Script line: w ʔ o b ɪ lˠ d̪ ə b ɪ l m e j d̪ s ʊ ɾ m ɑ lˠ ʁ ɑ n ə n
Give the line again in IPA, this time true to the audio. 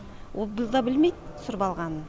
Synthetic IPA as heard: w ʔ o b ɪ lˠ d̪ ɑ b ɪ l m e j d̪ s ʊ ɾ b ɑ lˠ ʁ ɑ n ə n

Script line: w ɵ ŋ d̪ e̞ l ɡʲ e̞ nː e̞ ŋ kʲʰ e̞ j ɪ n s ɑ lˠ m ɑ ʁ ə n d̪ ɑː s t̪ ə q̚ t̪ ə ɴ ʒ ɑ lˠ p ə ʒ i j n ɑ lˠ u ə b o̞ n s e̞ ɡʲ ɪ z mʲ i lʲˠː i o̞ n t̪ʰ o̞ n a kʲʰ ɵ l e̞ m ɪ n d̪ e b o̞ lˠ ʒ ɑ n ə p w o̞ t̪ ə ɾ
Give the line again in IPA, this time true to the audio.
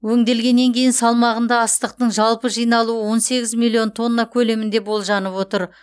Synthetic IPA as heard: w ɵ ŋ d̪ e̞ l ɡʲ e̞ nː e̞ ŋ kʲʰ e̞ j ɪ n s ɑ lˠ m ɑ ʁ ə n d̪ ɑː s t̪ ə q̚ t̪ ə ɴ ʒ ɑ lˠ p ə ʒ i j n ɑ lˠ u ə w o̞ n s e̞ ɡʲ ɪ z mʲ i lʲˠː i o̞ n t̪ʰ o̞ nː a kʲʰ ɵ l e̞ m ɪ n d̪ e b o̞ lˠ ʒ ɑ n ə p w o̞ t̪ ə ɾ

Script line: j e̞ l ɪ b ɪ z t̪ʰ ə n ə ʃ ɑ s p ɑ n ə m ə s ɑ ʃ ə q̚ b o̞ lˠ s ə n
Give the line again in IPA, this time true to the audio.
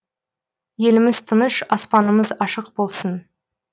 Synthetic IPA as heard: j e̞ l ɪ m ɪ z t̪ʰ ə n ə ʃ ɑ s p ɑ n ə m ə z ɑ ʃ ə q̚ b o̞ lˠ s ə n

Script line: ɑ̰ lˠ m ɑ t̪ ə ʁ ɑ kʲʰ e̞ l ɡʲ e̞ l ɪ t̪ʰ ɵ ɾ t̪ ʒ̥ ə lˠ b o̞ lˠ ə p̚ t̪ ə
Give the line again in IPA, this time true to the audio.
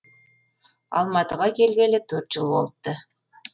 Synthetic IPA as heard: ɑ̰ lˠ m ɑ t̪ ə ʁ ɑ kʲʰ e̞ l ɡʲ e̞ l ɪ t̪ʰ ɵ ɾ t̪ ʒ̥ ə lˠ b o̞ lˠ ə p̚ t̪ ə

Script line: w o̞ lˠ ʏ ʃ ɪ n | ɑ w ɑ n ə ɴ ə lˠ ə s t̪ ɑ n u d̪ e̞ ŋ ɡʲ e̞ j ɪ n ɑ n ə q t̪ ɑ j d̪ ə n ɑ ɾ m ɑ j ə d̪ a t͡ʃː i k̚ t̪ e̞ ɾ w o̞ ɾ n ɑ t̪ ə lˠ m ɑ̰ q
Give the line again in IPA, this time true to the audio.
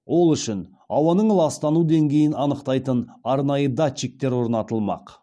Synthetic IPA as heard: w o̞ lˠ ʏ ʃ ɪ n | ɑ w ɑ n ə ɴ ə lˠ ɑ s t̪ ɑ n u d̪ e̞ ŋ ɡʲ e̞ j ɪ n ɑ n ə q t̪ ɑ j t̪ ə n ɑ ɾ n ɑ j ə d̪ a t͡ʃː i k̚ t̪ e̞ ɾ w o̞ ɾ n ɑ t̪ ə lˠ m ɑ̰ q

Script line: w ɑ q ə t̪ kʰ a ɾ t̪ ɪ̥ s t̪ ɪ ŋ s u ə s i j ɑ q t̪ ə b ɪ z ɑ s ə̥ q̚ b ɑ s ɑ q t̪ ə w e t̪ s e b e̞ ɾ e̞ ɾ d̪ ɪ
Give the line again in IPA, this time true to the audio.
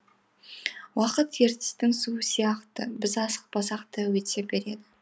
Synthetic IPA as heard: w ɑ q ə t̪ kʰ e ɾ t̪ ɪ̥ s t̪ ɪ ŋ s u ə s i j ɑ q t̪ ə b ɪ z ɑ s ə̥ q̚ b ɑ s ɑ q t̪ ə w e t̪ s e b e̞ ɾ e̞ d̪ ɪ

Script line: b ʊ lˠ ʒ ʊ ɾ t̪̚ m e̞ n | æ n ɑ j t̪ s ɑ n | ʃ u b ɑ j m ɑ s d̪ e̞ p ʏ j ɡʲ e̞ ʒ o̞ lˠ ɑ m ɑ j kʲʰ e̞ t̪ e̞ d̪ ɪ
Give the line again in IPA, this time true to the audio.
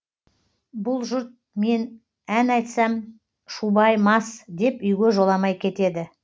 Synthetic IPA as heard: b ʊ lˠ ʒ ʊ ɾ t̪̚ m e̞ n | æ n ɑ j t̪ s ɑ m | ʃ u b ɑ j m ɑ s d̪ e̞ p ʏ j ɡʲ e̞ ʒ o̞ lˠ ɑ m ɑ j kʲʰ e̞ t̪ e̞ d̪ ɪ

